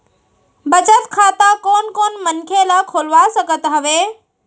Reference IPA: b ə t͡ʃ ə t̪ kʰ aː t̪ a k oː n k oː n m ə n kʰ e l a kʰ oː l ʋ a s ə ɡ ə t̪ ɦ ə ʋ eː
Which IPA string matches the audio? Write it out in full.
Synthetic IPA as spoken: b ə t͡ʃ ə t̪ kʰ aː t̪ a k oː n k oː n m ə n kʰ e l a kʰ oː l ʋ a s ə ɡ ə t̪ ɦ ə ʋ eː